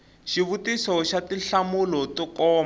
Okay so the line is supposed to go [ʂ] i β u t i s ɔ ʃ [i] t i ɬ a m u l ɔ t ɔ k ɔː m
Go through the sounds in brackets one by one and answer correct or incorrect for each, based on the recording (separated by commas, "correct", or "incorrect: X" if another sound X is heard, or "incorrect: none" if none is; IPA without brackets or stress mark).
incorrect: ʃ, incorrect: a